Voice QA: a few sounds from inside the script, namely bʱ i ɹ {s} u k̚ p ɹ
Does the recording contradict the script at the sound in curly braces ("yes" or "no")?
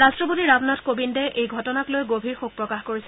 yes